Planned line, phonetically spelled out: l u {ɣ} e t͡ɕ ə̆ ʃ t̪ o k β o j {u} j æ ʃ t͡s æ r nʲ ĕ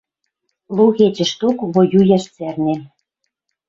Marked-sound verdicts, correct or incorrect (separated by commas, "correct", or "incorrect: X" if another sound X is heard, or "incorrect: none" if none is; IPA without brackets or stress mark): correct, correct